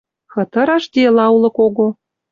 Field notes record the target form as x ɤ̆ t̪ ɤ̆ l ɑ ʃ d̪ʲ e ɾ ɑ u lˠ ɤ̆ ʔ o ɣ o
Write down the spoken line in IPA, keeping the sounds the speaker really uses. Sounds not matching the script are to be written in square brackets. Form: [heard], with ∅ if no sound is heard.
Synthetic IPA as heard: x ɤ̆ t̪ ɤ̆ [ɾ] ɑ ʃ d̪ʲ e [l] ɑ u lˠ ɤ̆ [k] o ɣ o